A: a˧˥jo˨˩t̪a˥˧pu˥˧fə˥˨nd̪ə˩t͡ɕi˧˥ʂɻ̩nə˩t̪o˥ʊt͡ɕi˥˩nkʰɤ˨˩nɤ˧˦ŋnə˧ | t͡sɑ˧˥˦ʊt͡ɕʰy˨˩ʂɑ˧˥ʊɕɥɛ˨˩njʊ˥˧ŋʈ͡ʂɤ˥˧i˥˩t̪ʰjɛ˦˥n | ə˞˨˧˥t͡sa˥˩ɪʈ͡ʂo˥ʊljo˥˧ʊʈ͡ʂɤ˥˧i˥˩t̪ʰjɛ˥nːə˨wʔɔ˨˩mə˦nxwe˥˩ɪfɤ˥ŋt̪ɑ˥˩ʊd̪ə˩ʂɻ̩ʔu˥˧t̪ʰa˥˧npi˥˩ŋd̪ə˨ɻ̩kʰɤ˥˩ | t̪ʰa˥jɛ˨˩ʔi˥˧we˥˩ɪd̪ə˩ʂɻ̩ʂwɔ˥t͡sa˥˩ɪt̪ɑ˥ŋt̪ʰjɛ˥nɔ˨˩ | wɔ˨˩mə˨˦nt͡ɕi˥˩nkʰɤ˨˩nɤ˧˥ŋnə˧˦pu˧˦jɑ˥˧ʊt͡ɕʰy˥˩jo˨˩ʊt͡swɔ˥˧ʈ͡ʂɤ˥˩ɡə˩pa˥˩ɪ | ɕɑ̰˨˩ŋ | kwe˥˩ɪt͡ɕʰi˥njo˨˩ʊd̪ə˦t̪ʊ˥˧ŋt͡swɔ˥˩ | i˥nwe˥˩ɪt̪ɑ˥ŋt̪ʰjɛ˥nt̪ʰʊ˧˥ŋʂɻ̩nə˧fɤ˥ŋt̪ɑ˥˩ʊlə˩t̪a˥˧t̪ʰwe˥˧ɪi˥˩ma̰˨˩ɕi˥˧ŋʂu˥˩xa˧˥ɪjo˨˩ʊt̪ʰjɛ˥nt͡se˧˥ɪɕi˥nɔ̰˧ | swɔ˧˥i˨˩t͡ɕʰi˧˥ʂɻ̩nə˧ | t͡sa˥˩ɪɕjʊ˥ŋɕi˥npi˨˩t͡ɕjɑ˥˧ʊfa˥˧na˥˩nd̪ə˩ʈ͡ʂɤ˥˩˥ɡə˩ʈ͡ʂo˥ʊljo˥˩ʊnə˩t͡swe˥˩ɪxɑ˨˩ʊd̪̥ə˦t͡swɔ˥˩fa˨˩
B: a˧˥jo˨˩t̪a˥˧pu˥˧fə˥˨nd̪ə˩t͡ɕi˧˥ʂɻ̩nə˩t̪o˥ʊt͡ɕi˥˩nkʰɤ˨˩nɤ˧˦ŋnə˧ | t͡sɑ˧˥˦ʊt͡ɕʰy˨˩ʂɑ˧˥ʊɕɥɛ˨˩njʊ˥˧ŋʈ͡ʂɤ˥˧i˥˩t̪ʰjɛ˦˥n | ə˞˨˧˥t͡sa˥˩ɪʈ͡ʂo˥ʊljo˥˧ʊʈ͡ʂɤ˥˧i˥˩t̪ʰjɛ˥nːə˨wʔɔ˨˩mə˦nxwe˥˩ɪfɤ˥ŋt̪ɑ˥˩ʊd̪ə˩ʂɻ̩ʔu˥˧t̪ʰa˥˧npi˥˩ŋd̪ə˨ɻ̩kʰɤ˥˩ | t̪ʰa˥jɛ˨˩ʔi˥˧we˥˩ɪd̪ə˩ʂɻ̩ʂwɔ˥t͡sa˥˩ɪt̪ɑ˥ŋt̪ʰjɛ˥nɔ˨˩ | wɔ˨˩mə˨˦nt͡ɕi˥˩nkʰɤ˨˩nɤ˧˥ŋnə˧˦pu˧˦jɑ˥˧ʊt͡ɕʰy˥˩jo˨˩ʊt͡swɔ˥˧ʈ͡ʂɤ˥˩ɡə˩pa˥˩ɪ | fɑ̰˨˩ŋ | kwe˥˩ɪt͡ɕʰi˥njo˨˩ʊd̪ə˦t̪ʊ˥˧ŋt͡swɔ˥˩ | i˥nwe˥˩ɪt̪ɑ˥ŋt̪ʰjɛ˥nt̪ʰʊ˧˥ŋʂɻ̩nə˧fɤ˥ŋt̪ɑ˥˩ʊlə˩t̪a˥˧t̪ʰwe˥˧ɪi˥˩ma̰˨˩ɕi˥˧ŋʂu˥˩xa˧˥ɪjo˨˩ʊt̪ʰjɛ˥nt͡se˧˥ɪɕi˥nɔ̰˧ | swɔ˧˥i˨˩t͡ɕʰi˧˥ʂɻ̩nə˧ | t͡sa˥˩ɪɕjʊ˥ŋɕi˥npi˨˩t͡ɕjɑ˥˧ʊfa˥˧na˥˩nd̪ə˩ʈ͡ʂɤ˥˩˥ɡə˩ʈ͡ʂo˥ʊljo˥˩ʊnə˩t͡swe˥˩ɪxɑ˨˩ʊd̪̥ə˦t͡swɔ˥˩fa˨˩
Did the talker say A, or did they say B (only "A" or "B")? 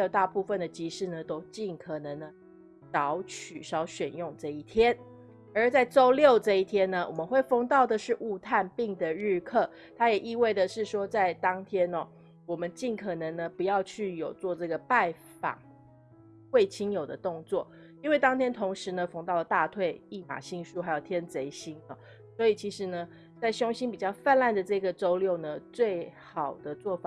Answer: B